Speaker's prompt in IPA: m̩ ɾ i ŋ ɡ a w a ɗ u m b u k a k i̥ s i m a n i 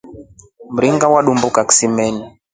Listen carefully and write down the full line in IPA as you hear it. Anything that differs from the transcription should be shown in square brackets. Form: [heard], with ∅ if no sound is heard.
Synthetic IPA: m̩ ɾ i ŋ ɡ a w a ɗ u m b u k a k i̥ s i m [ɛ] n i